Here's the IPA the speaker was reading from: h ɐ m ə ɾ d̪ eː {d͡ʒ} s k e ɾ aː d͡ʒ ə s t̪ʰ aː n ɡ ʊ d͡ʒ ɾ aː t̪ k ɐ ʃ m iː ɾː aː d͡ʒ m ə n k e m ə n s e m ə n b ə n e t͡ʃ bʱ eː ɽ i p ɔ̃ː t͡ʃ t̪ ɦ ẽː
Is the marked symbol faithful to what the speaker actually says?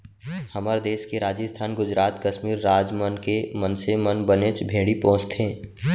no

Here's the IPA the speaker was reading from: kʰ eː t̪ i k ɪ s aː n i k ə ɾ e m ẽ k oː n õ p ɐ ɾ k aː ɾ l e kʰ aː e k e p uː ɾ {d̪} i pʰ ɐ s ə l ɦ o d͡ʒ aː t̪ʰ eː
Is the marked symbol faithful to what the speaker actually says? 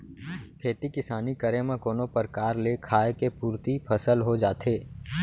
no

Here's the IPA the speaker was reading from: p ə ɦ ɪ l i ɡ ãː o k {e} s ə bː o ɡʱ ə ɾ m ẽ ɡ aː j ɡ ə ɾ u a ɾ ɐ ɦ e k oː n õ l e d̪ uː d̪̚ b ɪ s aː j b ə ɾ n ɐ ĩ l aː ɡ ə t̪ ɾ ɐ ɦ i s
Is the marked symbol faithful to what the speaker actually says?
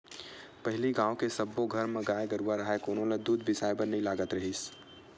yes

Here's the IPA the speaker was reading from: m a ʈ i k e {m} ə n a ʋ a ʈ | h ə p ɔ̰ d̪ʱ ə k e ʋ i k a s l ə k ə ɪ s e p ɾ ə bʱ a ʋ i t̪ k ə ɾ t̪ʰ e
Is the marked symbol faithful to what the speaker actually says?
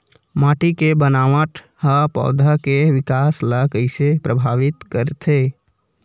no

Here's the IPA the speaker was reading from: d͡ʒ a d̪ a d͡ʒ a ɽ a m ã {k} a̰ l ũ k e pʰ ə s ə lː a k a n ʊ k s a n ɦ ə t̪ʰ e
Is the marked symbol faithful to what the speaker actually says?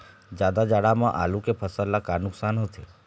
no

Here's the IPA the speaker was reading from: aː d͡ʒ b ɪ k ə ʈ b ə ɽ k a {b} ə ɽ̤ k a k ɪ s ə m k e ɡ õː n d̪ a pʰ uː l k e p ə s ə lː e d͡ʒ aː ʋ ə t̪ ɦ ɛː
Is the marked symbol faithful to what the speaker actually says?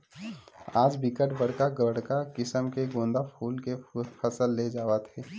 no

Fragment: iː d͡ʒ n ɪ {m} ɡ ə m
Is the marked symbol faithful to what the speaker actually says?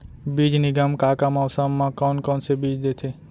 no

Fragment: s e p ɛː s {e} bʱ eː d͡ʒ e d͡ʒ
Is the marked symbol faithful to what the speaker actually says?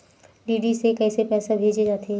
no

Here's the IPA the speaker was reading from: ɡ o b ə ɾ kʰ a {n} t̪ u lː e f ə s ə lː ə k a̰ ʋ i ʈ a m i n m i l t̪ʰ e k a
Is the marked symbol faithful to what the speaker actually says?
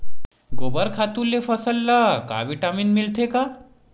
no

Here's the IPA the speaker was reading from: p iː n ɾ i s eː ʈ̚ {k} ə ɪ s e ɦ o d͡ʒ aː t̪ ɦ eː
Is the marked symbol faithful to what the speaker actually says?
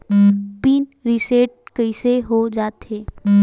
yes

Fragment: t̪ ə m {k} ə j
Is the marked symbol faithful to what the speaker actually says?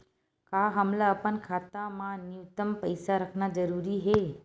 no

